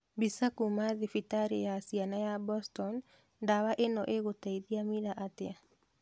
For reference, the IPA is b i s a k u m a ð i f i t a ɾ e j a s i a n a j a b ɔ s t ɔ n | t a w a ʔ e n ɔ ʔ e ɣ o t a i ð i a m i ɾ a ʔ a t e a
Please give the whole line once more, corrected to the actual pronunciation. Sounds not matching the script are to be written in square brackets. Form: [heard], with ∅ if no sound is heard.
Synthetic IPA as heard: b i s a k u m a ð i f i t a ɾ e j a s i a n a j a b ɔ s t ɔ n | [d] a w a ʔ e n ɔ ʔ e ɣ o t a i ð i a m i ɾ a ʔ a t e a